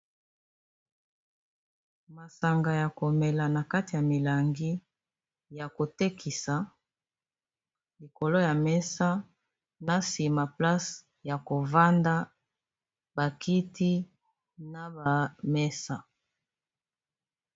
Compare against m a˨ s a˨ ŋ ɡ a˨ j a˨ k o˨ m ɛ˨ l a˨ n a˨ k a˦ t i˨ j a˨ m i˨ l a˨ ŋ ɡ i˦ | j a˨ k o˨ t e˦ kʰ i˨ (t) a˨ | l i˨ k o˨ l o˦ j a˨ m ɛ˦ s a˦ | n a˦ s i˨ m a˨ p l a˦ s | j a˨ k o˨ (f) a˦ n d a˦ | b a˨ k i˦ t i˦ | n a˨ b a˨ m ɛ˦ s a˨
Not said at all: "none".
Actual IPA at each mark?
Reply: s, v

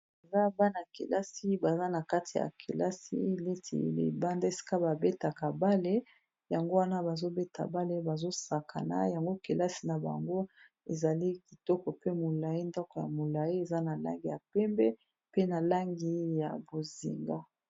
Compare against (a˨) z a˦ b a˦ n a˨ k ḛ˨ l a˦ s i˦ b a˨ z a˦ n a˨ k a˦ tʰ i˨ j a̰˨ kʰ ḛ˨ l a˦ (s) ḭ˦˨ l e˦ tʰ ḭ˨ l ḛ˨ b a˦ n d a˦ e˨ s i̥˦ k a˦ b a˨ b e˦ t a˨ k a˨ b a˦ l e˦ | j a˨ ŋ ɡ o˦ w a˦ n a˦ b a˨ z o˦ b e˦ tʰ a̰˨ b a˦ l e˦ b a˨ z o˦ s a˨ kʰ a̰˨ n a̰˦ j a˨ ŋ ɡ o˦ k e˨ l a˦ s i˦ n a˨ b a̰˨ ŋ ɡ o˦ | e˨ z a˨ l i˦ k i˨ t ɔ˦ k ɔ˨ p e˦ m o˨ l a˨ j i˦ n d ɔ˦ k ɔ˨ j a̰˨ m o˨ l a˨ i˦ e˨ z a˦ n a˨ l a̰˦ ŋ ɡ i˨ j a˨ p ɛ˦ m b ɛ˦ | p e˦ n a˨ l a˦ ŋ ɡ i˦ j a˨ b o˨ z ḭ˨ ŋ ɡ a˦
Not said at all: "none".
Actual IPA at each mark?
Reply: e˨, s

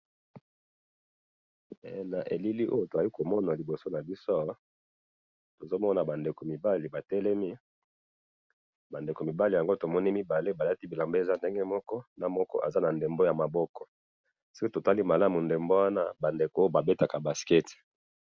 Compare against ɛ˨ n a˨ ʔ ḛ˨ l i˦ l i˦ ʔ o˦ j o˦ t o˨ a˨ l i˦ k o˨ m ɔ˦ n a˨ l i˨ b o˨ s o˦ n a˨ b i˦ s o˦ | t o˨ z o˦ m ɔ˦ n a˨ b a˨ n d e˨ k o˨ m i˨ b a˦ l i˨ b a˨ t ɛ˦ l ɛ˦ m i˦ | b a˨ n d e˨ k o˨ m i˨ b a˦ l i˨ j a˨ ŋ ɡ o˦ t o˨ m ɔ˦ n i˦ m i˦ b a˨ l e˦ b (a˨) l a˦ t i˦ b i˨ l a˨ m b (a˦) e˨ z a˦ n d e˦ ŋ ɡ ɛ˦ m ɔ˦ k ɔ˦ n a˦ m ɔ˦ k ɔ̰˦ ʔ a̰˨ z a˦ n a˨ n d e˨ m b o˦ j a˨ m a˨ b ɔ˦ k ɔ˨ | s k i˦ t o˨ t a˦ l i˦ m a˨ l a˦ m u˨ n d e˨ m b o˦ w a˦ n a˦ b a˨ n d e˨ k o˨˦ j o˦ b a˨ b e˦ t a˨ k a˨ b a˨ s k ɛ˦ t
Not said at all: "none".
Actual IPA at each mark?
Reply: a˨, e˦

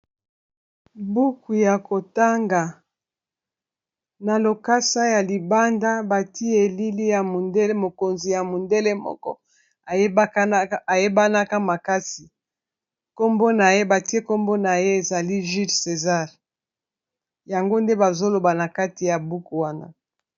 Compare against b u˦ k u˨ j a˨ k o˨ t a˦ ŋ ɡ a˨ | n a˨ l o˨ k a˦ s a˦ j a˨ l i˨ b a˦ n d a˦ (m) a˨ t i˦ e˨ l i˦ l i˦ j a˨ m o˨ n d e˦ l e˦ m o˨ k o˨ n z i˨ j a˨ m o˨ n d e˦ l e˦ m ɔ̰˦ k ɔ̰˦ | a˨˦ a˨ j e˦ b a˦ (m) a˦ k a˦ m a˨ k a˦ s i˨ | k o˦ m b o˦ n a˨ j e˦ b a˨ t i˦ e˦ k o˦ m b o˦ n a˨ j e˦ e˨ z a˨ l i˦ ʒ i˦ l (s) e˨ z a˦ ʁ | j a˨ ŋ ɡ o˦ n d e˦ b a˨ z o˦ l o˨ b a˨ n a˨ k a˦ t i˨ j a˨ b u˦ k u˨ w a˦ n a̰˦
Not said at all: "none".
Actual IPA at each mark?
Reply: b, n, s

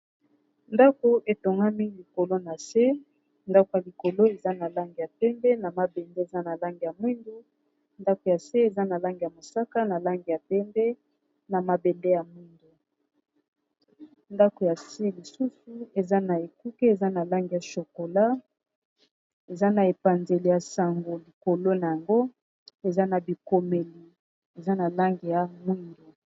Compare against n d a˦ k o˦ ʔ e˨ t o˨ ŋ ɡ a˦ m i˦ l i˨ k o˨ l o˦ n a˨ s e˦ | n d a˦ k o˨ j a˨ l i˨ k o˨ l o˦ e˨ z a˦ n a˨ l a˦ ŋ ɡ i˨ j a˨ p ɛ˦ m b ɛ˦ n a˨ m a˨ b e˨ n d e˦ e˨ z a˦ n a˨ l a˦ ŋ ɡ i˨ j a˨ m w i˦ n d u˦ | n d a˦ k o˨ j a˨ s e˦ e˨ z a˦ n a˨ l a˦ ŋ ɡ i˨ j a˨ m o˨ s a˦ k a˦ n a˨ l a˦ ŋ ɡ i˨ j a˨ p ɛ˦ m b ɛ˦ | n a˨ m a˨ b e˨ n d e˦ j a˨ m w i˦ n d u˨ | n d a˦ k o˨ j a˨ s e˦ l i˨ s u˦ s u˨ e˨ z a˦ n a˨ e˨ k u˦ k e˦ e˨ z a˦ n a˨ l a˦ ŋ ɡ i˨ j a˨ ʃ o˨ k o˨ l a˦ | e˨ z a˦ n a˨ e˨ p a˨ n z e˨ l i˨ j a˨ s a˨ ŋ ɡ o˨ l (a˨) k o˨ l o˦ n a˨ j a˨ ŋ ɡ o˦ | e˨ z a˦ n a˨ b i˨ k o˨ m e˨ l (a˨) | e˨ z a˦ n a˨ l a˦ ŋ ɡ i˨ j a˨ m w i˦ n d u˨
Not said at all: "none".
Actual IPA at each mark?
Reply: i˨, i˨

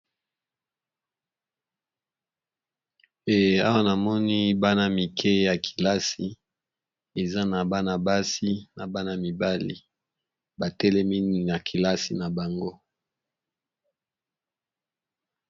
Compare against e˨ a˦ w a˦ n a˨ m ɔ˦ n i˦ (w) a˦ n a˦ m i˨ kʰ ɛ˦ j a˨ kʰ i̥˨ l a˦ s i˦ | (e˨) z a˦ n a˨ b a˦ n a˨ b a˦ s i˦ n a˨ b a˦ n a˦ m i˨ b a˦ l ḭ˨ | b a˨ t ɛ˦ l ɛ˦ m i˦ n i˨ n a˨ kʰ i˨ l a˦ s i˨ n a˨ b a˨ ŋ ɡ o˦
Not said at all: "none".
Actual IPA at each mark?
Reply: b, e˨

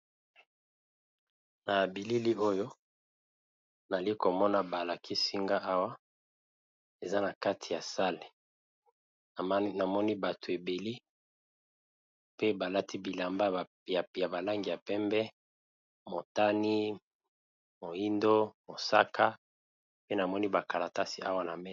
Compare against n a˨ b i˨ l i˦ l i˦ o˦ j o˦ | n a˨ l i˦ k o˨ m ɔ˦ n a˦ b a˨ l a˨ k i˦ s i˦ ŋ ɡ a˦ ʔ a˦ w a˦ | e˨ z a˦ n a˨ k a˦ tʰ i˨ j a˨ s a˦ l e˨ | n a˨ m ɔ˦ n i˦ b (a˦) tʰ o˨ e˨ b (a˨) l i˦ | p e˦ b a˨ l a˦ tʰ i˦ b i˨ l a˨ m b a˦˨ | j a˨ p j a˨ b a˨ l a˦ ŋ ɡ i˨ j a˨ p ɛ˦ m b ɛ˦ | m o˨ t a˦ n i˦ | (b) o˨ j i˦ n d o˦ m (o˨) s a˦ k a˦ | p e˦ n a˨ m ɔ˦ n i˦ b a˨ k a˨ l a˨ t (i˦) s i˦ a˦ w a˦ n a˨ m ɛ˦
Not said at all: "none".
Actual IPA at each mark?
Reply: a˨, e˨, m, o˨, a˦

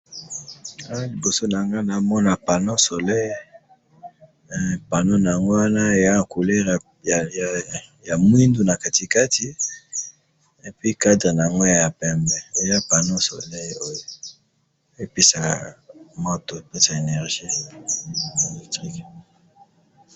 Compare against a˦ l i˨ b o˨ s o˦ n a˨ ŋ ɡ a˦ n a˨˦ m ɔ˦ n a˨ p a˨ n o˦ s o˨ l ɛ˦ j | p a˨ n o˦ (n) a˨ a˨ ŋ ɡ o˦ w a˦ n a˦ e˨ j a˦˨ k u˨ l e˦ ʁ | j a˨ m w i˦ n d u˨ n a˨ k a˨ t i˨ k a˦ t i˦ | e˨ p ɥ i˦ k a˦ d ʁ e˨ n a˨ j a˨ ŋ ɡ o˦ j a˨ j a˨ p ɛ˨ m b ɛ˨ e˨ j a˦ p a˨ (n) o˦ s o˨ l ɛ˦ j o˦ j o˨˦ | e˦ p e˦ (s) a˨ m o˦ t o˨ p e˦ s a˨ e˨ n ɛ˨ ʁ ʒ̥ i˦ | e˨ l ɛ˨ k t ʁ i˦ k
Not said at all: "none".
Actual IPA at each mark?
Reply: n, n, s

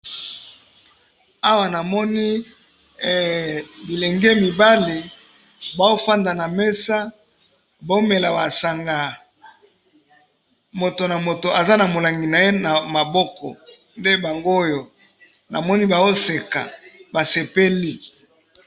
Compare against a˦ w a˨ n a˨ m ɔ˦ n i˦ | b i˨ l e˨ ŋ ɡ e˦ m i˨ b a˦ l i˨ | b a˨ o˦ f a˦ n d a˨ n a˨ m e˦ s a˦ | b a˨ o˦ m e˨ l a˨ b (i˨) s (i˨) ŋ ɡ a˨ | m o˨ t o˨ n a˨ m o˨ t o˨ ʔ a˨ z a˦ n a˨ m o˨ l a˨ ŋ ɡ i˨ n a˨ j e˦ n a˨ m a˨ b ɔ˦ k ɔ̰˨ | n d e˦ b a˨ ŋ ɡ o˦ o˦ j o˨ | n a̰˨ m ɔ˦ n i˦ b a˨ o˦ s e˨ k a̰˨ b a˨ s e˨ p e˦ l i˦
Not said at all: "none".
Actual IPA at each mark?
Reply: a˨, a˨

